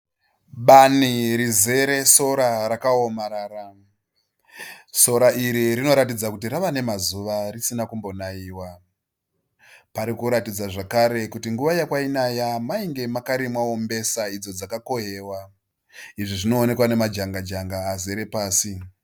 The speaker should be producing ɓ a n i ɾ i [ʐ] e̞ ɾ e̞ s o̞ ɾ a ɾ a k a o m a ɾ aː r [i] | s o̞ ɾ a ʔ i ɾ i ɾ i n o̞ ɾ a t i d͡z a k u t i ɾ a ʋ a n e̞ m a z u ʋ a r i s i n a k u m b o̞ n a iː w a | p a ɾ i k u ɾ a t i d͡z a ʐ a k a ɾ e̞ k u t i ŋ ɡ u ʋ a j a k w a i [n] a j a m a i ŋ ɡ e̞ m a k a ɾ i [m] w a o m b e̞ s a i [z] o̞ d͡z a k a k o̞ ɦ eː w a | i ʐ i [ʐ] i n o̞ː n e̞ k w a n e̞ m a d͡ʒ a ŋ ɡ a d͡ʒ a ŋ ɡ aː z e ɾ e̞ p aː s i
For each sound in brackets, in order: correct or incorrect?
incorrect: z, incorrect: a, correct, correct, incorrect: d͡z, correct

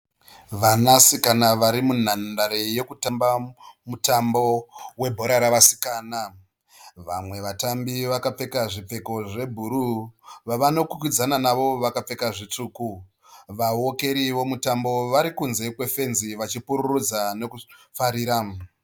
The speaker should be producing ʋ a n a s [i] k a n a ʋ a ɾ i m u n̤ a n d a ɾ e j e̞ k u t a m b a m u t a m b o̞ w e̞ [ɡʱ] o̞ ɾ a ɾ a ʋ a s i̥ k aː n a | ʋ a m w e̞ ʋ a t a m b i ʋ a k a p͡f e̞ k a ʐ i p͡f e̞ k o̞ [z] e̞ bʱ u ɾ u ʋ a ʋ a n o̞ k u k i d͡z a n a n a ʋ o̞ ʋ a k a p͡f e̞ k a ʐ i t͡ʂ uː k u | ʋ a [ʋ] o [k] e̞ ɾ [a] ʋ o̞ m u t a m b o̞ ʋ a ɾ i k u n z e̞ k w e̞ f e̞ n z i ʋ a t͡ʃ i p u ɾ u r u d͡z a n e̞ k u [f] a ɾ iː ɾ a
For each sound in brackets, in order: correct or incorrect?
correct, incorrect: bʱ, incorrect: ʐ, incorrect: w, correct, incorrect: i, correct

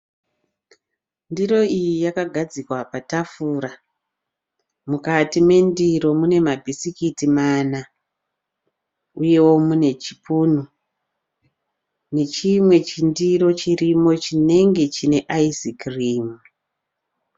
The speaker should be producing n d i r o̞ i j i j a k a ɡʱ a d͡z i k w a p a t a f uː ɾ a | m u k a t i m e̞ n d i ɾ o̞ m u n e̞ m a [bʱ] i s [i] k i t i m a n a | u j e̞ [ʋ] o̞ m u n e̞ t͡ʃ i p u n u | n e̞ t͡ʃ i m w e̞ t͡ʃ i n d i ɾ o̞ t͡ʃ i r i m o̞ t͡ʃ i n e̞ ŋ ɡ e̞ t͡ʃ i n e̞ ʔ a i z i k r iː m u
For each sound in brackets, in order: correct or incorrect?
correct, correct, incorrect: w

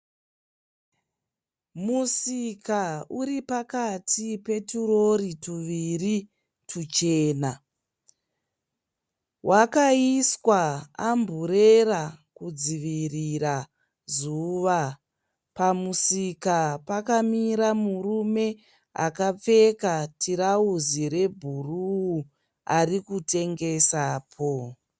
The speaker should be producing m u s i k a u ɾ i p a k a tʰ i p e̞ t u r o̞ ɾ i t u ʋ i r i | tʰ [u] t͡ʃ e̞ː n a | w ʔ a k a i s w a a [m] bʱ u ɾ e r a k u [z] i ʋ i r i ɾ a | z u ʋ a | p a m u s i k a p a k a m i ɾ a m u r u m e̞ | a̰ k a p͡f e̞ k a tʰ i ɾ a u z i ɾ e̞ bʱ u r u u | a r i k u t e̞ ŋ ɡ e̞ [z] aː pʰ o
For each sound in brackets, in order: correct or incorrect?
correct, correct, incorrect: d͡z, incorrect: s

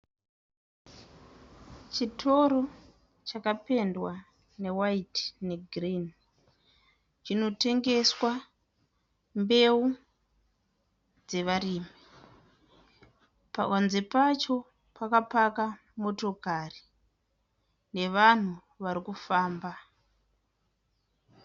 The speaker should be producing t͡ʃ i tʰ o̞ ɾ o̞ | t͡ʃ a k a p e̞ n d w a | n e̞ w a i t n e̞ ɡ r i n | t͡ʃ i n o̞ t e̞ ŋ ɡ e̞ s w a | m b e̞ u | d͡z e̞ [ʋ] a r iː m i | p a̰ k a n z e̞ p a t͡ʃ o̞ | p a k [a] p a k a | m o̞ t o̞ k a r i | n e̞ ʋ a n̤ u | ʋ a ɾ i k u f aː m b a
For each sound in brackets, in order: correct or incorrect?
correct, correct

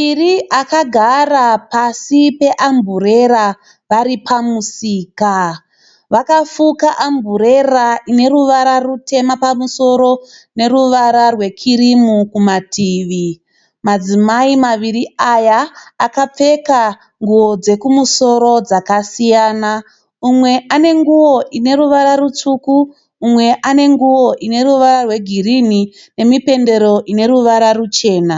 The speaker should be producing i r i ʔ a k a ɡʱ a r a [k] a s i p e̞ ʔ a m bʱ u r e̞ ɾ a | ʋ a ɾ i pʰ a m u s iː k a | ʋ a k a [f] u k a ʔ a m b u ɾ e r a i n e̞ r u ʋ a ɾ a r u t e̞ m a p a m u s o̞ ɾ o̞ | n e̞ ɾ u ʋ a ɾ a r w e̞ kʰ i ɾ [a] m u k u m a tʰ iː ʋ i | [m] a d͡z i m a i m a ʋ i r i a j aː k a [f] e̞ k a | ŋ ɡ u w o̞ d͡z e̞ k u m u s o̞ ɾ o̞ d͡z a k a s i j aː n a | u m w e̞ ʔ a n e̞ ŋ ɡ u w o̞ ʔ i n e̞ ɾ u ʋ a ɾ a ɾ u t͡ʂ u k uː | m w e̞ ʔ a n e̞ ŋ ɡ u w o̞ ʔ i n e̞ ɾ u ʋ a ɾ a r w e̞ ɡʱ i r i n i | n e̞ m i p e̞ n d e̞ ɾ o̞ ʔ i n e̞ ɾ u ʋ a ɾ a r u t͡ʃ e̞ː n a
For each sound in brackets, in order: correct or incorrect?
incorrect: p, correct, incorrect: i, correct, incorrect: p͡f

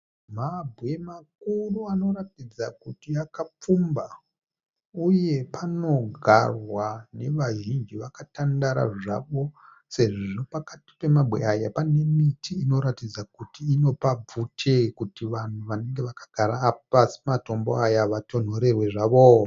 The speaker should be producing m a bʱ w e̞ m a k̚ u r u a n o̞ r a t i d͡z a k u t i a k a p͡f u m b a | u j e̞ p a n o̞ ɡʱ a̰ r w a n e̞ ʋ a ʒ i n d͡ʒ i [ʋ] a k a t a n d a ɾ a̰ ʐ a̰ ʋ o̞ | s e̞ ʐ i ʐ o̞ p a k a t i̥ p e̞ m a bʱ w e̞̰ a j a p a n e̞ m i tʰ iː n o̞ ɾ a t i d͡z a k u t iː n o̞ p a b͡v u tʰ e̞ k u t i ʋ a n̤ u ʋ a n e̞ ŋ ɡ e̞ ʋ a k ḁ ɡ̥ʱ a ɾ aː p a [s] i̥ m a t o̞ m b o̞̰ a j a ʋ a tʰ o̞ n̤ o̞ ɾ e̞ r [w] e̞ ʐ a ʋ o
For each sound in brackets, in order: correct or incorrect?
correct, correct, correct

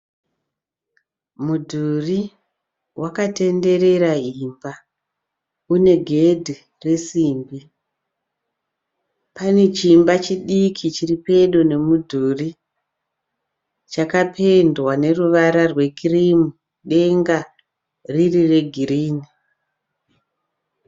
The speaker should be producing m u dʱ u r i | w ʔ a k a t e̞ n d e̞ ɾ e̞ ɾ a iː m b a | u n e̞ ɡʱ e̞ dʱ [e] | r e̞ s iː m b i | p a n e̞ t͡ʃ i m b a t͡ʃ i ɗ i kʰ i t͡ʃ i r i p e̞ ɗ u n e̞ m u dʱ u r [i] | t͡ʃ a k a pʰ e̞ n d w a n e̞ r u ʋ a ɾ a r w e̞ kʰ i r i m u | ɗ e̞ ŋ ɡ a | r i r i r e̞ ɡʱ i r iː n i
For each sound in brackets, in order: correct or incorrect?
incorrect: i, correct

